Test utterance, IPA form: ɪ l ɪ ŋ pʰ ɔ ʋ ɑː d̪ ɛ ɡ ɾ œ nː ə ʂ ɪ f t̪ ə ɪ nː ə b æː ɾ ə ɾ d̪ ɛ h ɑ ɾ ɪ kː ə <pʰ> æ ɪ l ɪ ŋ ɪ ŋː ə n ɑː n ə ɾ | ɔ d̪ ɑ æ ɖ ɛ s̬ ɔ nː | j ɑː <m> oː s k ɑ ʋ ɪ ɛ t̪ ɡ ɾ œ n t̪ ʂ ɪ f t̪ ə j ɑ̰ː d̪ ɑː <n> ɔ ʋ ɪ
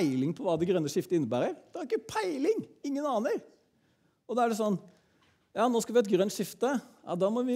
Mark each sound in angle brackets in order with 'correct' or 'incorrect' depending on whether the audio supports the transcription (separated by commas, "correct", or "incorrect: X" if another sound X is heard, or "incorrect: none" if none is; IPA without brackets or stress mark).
correct, incorrect: n, incorrect: m